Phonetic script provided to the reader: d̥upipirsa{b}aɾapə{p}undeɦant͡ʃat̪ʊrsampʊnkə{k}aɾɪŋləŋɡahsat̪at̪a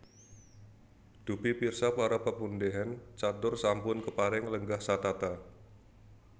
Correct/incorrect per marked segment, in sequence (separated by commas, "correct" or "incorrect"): incorrect, correct, incorrect